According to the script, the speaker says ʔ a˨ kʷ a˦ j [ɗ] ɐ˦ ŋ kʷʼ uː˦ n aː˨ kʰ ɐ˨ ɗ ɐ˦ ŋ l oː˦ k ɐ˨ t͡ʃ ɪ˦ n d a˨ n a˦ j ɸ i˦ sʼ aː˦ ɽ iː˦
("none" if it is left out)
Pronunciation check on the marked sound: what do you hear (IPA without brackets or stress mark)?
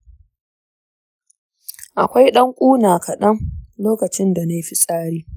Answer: ɗ